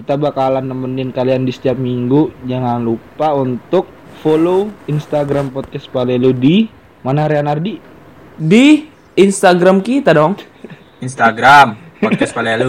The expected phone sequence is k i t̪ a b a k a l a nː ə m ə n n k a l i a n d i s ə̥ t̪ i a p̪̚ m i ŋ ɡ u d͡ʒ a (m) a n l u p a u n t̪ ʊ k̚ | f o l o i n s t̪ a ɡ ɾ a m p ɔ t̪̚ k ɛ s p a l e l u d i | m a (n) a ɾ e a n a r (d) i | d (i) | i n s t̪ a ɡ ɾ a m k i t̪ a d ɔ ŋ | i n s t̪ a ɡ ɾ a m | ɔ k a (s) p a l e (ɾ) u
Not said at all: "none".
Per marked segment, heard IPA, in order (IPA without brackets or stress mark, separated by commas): ŋ, n, d, i, s, l